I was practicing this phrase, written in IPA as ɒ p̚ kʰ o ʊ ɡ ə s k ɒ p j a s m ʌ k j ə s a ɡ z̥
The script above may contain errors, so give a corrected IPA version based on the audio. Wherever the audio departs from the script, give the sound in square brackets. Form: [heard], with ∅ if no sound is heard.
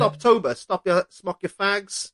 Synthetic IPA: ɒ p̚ [tʰ] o ʊ [b] ə s [t] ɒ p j [ə] s m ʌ k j ə [f] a ɡ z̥